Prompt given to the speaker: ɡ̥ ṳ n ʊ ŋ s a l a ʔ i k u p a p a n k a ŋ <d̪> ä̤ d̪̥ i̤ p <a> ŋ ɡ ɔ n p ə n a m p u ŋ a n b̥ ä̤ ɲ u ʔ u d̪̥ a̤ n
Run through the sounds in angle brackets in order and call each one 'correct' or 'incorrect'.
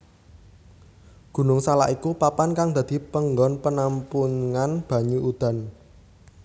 correct, incorrect: ə

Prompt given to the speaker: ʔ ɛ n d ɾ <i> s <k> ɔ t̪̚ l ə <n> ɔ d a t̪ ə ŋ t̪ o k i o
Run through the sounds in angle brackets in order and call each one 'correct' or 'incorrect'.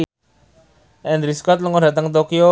correct, correct, incorrect: ŋ

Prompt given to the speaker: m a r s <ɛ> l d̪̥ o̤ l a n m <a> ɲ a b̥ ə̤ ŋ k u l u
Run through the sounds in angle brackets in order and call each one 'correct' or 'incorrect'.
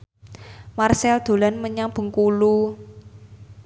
correct, incorrect: ə

